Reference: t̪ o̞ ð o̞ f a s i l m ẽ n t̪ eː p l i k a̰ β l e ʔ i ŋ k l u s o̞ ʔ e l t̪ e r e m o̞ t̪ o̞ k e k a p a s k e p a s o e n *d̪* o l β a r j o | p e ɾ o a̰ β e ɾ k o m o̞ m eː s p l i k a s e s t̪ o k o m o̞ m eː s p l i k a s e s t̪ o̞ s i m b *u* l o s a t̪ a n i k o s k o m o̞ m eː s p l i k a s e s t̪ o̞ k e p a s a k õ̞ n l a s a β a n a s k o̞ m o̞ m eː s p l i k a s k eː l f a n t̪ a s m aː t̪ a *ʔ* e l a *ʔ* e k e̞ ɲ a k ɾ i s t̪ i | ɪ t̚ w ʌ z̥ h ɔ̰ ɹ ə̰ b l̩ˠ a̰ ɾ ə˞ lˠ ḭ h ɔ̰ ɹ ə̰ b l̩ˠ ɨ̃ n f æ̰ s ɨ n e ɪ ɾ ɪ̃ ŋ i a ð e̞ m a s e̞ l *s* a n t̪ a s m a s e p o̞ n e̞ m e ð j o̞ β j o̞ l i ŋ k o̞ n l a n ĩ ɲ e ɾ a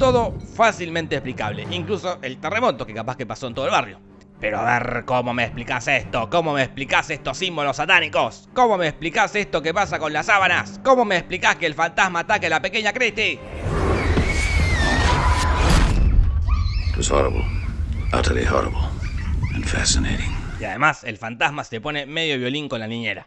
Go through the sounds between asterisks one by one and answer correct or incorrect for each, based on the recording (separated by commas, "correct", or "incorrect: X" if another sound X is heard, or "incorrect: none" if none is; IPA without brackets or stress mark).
incorrect: t̪, incorrect: o, incorrect: k, incorrect: p, incorrect: f